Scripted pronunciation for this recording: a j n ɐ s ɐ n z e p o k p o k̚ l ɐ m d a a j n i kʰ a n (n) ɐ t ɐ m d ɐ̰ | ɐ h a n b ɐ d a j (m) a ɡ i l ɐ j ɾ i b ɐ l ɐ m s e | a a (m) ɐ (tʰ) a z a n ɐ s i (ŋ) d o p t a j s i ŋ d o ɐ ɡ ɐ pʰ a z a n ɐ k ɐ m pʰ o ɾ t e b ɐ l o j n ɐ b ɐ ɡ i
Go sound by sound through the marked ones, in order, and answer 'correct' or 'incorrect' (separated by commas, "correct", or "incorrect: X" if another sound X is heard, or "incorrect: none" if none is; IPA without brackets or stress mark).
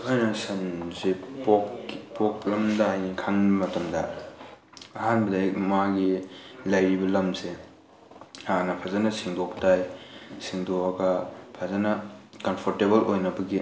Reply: incorrect: m, correct, incorrect: n, incorrect: pʰ, correct